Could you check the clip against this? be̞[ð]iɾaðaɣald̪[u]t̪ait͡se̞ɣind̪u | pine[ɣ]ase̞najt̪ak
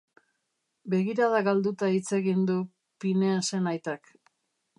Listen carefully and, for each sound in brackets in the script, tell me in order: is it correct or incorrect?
incorrect: ɣ, correct, incorrect: none

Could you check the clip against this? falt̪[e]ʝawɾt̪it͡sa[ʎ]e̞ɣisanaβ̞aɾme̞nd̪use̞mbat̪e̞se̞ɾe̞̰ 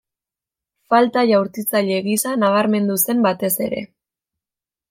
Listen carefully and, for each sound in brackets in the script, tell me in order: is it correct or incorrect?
incorrect: a, correct

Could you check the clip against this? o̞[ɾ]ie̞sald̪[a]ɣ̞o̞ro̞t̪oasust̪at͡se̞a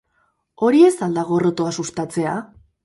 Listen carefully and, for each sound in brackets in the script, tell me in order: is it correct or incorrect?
correct, correct

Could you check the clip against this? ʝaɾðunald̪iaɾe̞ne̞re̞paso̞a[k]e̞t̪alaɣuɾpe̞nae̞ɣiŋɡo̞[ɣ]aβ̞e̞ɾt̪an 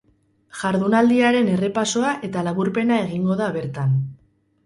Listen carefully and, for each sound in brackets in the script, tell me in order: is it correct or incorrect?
incorrect: ʔ, incorrect: ð

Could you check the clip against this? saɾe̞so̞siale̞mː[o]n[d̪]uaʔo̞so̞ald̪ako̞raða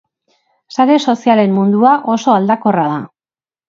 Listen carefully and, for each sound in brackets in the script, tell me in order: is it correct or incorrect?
incorrect: u, correct

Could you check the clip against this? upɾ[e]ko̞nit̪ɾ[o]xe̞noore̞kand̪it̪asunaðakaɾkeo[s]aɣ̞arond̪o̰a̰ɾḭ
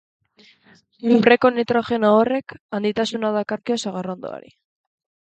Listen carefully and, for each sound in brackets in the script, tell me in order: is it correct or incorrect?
correct, correct, correct

